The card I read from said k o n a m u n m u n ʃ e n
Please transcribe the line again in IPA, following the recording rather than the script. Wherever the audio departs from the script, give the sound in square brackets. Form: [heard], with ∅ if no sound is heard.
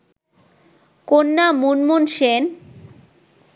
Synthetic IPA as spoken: k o [nː] a m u n m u n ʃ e n

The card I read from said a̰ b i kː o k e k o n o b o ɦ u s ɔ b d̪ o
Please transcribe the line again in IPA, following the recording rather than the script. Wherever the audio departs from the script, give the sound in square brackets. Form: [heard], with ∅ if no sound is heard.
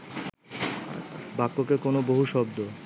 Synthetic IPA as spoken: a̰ b [a] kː o k e k o n o b o ɦ u [ʃ] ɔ b d̪ o

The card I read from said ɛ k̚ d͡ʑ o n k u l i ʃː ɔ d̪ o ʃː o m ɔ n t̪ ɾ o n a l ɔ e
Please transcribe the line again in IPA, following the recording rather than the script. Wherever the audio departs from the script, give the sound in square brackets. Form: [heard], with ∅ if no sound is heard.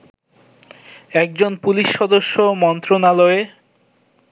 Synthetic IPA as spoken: ɛ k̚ d͡ʑ o n [p] u l i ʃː ɔ d̪ o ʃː o m ɔ n t̪ ɾ o n a l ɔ e

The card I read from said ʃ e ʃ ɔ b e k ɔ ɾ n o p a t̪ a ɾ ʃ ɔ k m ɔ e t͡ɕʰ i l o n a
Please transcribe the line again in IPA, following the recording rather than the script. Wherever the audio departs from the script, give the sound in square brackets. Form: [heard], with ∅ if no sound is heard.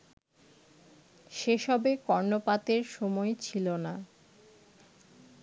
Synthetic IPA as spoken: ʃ e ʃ ɔ b e k ɔ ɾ n o p a t̪ [e] ɾ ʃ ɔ [∅] m ɔ e t͡ɕʰ i l o n a

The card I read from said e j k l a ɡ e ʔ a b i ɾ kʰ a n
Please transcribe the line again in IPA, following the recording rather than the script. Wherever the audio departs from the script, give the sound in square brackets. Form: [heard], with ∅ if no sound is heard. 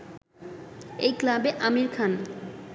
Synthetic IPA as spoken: e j k l a [b] e ʔ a [m] i ɾ kʰ a n

